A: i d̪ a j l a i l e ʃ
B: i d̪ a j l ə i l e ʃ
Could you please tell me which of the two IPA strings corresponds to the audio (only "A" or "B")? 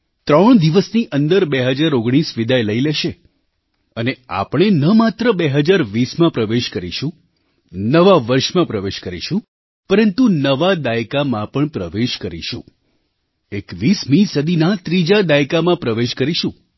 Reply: B